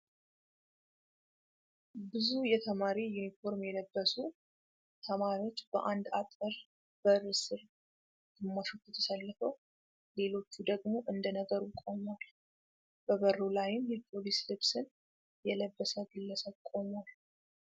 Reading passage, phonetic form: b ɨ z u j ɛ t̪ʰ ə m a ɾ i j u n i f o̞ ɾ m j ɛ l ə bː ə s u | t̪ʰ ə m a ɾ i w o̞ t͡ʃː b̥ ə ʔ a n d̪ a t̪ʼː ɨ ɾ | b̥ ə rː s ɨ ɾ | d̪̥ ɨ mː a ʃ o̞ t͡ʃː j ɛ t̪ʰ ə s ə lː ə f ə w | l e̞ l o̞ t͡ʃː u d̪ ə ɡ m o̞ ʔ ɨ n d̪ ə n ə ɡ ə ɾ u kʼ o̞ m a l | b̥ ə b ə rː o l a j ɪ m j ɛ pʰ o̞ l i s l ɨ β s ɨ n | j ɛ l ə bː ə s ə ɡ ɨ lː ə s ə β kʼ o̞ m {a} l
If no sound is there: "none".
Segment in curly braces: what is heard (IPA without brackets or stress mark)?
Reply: a